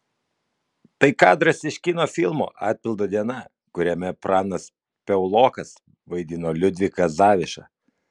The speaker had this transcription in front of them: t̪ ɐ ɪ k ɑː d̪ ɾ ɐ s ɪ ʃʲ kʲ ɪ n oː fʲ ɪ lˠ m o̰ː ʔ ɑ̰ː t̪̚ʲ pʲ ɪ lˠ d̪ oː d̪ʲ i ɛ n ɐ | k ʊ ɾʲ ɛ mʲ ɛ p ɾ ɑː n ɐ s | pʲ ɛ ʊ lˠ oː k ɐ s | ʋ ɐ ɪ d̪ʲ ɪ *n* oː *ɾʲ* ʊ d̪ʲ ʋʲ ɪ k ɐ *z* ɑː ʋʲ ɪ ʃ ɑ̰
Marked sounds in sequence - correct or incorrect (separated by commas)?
correct, incorrect, correct